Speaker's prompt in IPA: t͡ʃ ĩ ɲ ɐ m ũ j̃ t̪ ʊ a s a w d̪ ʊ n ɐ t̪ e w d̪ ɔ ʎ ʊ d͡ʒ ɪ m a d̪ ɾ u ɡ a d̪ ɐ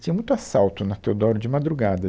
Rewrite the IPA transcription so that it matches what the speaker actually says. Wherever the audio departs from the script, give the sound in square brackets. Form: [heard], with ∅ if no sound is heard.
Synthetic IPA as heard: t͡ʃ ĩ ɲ ɐ m ũ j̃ t̪ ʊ a s a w [t̪] ʊ n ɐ t̪ e w d̪ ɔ [ɾ] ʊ d͡ʒ ɪ m a d̪ ɾ u ɡ a d̪ ɐ

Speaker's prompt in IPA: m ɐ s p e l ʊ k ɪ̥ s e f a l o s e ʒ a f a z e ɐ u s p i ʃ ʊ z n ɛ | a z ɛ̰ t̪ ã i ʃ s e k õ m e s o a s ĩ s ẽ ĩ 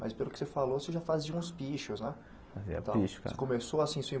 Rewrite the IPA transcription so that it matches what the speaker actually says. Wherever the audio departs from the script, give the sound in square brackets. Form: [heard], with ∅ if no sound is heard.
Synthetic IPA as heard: m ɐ s p e l ʊ k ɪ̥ s e f a l o s e ʒ a f a z [i] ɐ [ũ] s p i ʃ ʊ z n ɛ | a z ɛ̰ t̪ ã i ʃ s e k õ m e s o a s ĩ s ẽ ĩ

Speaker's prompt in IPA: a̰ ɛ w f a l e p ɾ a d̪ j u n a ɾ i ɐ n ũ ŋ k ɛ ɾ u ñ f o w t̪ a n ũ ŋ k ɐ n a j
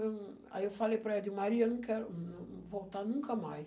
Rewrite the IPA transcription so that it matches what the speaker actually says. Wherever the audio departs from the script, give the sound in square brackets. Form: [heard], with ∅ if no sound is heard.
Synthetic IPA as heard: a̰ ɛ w f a l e p ɾ [ɛ] d̪ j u [m] a ɾ i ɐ n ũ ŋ k ɛ ɾ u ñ [v] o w t̪ a n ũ ŋ k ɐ [m] a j

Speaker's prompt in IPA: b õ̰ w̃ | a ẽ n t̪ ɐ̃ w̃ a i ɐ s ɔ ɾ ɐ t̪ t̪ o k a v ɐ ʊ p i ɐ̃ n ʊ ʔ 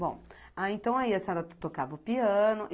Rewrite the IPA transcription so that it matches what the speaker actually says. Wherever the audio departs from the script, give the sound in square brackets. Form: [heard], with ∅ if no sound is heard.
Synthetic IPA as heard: b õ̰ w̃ | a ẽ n t̪ ɐ̃ w̃ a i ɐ s ɔ ɾ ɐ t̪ t̪ o k a v ɐ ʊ p i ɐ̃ n ʊ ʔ

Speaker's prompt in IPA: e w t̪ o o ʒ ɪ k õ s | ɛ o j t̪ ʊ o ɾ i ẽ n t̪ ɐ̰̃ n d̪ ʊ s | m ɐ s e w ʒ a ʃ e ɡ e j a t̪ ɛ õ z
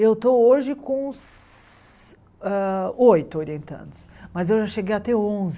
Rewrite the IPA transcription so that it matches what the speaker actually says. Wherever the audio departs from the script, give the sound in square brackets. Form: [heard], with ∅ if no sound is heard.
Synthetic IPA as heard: e w t̪ o o ʒ ɪ k õ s | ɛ o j t̪ ʊ o ɾ i ẽ n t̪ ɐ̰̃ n d̪ ʊ s | m ɐ [z] e w ʒ a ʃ e ɡ e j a t̪ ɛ õ z

